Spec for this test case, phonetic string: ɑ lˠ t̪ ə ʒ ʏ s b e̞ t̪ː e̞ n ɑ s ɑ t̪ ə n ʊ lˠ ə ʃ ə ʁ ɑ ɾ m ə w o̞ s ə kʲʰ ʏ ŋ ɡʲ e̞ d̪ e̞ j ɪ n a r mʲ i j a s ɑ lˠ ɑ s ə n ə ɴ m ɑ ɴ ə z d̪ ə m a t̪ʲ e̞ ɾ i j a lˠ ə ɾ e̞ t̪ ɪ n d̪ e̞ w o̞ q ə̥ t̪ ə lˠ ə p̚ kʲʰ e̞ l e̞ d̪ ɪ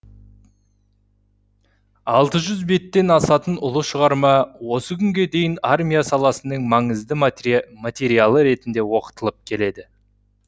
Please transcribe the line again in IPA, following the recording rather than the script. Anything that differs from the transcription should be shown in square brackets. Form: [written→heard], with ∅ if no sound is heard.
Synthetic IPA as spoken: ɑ lˠ t̪ ə ʒ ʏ [s→z] b e̞ t̪ː e̞ n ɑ s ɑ t̪ ə n ʊ lˠ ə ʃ ə ʁ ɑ ɾ m [ə→ɑ] w o̞ s ə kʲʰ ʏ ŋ ɡʲ e̞ d̪ e̞ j ɪ n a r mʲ i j a s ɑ lˠ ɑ s ə n ə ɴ m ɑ ɴ ə z d̪ ə m a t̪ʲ e̞ ɾ i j a lˠ ə ɾ e̞ t̪ ɪ n d̪ e̞ w o̞ q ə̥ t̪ ə lˠ ə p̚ kʲʰ e̞ l e̞ d̪ ɪ